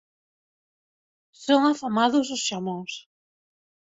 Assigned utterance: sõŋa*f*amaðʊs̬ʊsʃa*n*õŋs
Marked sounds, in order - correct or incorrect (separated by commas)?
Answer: correct, incorrect